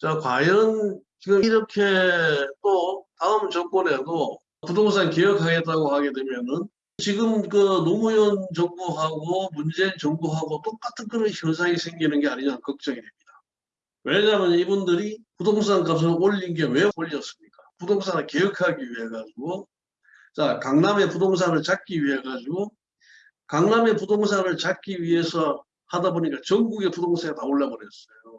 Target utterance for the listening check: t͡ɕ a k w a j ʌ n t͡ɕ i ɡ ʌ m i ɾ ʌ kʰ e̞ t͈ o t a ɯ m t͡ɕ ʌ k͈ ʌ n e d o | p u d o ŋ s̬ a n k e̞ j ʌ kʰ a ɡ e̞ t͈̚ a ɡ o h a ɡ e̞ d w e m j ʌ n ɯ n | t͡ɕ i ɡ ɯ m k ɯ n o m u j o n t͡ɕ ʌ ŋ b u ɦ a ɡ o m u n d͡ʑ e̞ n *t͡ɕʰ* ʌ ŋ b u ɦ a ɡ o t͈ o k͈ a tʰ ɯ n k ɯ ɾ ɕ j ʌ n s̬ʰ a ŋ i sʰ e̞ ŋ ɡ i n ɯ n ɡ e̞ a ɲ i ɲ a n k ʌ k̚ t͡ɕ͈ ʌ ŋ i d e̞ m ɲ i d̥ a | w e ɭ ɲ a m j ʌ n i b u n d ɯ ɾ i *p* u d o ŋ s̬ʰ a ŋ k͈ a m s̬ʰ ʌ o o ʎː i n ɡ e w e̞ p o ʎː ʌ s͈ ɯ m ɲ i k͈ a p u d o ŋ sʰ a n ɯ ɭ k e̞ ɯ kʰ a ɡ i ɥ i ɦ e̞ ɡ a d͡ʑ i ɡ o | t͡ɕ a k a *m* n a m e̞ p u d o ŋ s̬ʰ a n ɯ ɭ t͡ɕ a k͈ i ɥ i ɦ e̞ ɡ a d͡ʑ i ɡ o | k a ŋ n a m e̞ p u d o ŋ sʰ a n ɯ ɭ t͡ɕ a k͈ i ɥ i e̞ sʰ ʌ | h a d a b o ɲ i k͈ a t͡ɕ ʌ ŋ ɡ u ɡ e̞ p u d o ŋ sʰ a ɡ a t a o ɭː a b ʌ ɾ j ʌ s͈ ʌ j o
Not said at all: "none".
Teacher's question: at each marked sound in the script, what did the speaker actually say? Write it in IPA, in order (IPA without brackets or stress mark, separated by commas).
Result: t͡ɕ, p, ŋ